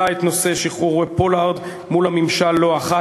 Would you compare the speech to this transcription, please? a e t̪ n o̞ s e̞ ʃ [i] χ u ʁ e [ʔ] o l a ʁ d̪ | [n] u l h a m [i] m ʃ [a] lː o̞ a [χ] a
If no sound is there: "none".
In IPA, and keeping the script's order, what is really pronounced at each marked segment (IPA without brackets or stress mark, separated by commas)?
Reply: i, p, m, i, a, χ